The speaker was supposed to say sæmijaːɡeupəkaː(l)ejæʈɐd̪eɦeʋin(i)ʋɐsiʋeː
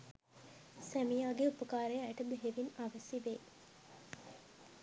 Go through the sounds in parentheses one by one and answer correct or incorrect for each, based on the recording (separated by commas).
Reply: incorrect, incorrect